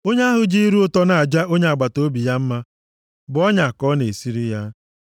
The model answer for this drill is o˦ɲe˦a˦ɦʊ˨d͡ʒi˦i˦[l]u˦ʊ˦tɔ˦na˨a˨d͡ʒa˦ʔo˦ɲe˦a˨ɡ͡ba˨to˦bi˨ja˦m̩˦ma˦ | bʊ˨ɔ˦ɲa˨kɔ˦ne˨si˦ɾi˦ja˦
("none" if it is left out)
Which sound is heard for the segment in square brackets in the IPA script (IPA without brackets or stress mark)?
ɾ